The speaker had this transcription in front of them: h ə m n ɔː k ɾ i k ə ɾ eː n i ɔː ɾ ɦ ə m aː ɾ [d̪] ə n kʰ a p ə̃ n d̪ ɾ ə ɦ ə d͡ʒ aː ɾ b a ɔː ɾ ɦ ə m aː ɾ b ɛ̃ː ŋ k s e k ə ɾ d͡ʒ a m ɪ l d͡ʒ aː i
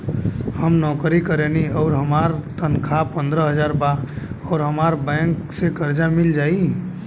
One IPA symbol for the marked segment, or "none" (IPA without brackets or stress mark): t̪